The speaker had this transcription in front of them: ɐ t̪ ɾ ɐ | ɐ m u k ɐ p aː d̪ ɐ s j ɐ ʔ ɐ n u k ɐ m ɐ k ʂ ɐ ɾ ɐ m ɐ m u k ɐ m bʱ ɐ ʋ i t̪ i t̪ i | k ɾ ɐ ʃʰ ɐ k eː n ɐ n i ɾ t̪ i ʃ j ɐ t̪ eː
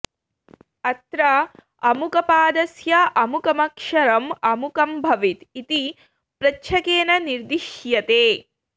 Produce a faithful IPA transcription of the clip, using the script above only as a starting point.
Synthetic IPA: ɐ t̪ ɾ ɐ | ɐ m u k ɐ p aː d̪ ɐ s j ɐ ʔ ɐ m u k ɐ m ɐ k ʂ ɐ ɾ ɐ m ɐ m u k ɐ m bʱ ɐ ʋ i t̪ i t̪ i | p ɾ ɐ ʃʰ ɐ k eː n ɐ n i ɾ d̪ i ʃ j ɐ t̪ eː